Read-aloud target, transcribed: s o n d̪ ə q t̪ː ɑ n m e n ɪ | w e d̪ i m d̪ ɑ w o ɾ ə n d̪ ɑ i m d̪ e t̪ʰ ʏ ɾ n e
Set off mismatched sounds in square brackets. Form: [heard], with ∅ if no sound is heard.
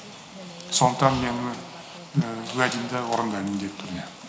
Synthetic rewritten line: s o n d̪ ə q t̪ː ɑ n m e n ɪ | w [æ] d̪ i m d̪ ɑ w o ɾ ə n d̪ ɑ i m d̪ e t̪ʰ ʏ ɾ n e